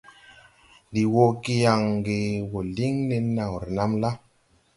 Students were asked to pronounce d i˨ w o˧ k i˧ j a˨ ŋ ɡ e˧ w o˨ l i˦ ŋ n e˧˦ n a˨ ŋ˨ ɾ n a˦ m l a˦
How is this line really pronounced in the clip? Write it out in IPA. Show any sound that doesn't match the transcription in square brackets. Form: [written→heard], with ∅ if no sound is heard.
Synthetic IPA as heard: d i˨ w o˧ k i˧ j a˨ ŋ ɡ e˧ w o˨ l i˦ ŋ n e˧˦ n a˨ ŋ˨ ɾ n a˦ m l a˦

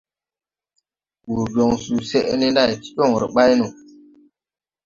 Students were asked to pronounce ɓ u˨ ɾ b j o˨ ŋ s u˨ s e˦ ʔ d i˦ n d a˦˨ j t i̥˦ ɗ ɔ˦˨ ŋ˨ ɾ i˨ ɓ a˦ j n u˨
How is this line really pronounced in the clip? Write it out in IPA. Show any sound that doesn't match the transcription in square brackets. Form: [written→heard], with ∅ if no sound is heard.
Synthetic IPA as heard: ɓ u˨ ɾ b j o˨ ŋ s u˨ s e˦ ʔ [d→n] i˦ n d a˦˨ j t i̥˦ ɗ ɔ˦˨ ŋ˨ ɾ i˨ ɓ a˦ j n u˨

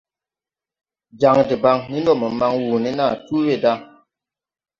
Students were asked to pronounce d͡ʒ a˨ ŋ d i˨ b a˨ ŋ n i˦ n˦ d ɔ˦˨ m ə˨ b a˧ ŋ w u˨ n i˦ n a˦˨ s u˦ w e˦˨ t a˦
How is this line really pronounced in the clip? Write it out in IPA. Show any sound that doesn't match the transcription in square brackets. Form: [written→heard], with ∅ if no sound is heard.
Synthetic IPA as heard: d͡ʒ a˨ ŋ d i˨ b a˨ ŋ n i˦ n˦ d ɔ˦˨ m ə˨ [b→m] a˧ ŋ w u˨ n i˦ n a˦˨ [s→t] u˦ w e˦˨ [t→d] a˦

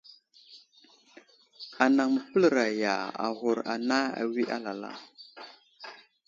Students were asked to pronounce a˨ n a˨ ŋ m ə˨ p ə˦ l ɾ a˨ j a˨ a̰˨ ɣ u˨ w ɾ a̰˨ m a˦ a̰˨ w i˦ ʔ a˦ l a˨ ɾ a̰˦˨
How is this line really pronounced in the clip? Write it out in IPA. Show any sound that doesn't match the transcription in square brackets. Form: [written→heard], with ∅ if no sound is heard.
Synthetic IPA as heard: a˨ n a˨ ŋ m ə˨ p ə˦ l ɾ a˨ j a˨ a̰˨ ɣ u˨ [w→∅] ɾ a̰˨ [m→n] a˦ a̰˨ w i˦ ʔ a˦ l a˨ [ɾ→l] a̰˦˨

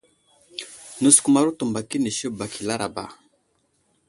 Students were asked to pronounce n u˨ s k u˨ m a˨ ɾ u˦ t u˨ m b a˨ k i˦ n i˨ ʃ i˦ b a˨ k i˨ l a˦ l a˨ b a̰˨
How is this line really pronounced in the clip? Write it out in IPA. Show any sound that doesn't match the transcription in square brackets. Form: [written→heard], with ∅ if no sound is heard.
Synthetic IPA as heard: n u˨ s k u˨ m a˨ ɾ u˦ t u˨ m b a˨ k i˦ n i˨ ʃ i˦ b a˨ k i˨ l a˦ [l→ɾ] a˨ b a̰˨

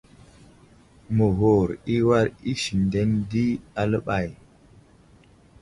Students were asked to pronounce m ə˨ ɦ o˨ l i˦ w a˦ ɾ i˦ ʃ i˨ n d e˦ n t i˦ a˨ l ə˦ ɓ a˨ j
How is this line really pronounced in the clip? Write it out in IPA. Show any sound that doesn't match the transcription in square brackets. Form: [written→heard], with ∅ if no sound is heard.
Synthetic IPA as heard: m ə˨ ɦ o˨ [l→ɾ] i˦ w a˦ ɾ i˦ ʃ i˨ n d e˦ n [t→d] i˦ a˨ l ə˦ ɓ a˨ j

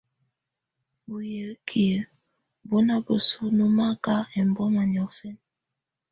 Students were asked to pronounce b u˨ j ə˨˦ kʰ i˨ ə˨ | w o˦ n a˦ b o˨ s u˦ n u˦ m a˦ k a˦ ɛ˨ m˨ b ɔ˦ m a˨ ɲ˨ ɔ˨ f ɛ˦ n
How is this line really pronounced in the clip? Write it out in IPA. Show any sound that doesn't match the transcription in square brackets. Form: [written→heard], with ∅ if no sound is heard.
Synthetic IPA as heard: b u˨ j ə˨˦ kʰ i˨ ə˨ | [w→b] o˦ n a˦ b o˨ s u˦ n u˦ m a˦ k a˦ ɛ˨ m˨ b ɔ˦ m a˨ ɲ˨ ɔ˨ f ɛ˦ n

